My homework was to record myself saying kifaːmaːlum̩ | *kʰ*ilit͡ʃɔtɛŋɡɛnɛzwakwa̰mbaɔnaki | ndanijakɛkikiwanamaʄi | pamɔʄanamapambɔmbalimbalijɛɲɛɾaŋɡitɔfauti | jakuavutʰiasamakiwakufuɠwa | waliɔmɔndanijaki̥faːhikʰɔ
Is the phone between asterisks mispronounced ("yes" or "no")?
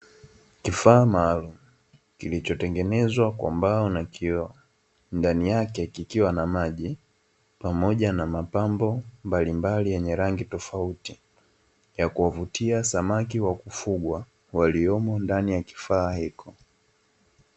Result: yes